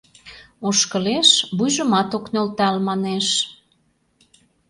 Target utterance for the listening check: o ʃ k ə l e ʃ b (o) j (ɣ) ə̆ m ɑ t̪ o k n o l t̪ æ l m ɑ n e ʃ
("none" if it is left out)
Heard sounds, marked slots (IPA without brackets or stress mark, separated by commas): u, ʒ